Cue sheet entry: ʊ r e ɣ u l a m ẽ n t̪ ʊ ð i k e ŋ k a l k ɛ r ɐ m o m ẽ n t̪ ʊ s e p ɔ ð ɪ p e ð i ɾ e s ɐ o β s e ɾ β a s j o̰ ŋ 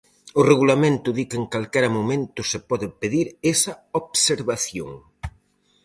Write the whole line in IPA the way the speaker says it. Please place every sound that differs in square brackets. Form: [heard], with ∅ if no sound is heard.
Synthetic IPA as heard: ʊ r e ɣ u l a m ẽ n t̪ ʊ ð i k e ŋ k a l k ɛ [ɾ] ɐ m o m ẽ n t̪ ʊ s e p ɔ ð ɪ p e ð i ɾ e s ɐ o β s e ɾ β a [θ] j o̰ ŋ